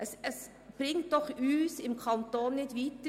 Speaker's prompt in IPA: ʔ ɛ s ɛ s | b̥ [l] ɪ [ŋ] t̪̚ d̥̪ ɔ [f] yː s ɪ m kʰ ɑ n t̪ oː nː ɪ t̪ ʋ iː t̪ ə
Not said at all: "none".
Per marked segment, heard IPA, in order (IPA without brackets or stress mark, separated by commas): ɾ, ŋ, χ